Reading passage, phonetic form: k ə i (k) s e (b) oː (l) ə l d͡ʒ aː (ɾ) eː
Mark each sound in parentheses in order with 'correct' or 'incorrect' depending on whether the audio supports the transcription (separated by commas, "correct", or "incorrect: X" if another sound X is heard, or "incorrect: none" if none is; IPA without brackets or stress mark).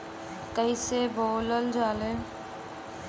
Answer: incorrect: none, correct, correct, incorrect: l